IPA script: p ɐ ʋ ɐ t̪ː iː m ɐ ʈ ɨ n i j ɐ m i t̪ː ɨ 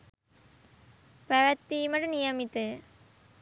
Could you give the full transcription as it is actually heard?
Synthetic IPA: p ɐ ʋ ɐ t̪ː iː m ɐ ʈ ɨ n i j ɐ m i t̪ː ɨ